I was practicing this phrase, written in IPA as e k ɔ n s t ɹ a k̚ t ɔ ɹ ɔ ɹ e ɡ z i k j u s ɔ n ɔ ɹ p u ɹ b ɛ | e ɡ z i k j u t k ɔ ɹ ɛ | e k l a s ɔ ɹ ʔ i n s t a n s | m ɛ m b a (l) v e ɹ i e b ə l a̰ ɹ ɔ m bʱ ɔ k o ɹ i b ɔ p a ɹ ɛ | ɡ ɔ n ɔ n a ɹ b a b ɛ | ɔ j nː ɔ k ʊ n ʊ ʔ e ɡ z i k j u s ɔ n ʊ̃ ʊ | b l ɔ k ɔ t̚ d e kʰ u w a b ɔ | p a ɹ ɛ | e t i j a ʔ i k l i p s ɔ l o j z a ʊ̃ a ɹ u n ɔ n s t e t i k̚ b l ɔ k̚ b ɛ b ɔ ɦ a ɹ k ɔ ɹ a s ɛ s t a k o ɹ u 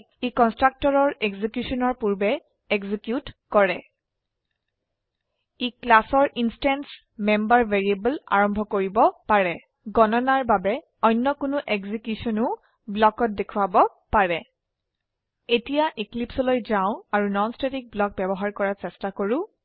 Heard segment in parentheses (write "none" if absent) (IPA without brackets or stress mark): ɹ